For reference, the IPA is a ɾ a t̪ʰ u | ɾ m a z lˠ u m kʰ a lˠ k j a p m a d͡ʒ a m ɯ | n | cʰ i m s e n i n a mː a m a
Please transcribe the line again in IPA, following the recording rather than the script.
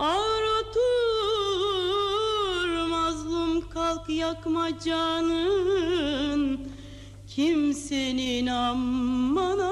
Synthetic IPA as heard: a ɾ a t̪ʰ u | ɾ m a z lˠ u m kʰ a lˠ k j a k m a d͡ʒ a n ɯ | n | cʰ i m s e n i n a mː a n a